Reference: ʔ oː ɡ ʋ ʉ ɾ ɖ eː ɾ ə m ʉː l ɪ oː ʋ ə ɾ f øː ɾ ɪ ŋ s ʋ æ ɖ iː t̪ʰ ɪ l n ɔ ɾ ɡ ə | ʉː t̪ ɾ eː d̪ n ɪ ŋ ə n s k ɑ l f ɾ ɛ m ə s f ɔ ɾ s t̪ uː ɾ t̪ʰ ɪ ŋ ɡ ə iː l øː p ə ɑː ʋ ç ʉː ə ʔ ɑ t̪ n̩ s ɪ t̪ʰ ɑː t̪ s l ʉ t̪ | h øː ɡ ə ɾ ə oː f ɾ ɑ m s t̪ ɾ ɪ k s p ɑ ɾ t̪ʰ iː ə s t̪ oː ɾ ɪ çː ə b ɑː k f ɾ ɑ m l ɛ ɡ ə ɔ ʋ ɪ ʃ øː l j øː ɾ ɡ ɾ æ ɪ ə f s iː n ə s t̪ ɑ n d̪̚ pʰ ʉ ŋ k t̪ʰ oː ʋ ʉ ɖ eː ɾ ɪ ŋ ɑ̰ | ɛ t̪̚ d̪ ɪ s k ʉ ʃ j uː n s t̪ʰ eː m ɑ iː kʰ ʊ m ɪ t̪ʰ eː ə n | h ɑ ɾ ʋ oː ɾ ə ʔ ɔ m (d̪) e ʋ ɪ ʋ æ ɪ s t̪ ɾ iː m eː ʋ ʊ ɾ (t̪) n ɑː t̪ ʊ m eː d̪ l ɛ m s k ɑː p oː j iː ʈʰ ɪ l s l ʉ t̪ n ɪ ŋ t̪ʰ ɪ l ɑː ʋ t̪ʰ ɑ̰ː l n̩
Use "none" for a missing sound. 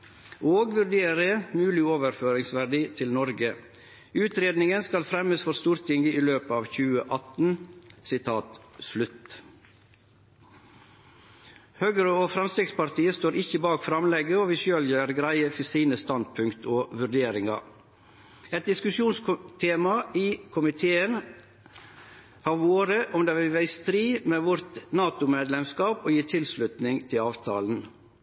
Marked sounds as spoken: d̪, t̪

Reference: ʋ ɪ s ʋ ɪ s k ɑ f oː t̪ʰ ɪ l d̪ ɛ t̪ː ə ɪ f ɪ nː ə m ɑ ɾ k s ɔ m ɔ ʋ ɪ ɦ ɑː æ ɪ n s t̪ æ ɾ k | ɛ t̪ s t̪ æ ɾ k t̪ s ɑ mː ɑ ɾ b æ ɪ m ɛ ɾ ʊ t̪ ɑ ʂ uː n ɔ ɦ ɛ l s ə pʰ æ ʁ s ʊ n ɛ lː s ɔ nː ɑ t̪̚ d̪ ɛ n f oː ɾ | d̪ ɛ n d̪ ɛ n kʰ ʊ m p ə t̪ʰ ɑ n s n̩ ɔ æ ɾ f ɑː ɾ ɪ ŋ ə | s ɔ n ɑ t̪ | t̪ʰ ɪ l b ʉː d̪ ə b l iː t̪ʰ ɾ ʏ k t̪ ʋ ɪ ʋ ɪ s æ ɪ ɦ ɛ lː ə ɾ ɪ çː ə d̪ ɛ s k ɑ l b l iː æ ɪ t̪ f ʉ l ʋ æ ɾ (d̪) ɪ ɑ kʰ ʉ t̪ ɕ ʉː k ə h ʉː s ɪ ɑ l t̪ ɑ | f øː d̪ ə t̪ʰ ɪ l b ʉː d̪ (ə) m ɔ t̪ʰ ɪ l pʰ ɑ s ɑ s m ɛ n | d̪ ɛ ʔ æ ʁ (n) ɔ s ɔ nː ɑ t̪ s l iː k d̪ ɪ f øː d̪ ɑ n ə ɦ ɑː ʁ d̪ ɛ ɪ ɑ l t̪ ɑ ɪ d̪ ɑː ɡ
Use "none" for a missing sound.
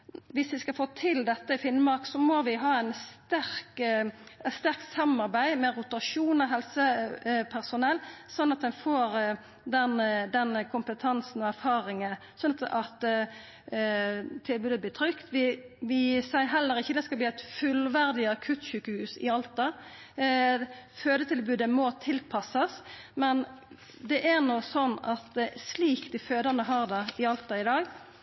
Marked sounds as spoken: d̪, ə, n

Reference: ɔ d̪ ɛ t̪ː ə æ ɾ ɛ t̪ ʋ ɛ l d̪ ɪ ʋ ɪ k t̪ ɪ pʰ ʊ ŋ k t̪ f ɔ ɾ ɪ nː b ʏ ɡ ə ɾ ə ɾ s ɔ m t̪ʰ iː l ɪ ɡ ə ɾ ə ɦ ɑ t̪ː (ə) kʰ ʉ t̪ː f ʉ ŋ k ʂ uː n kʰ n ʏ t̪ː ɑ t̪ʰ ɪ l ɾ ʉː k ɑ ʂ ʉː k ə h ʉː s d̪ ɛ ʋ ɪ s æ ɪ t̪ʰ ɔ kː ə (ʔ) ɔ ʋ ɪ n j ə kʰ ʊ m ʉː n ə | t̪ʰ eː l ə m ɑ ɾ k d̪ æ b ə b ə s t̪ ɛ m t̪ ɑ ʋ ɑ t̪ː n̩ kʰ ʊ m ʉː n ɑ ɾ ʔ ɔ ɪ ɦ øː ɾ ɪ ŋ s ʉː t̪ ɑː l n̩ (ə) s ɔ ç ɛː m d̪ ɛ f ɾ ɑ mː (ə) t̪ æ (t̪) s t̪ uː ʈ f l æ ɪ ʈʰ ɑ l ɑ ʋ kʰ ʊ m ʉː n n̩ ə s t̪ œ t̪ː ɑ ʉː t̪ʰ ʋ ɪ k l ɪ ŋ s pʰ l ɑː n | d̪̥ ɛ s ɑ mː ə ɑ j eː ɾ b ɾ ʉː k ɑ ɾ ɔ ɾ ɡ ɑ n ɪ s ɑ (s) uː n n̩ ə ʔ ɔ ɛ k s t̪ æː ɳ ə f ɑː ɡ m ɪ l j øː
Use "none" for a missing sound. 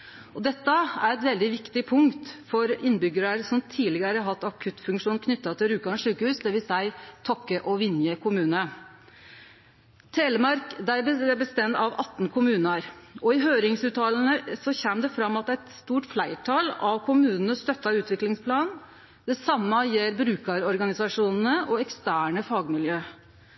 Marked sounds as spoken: ɑ, ʔ, ə, ɑ, t̪, ʂ

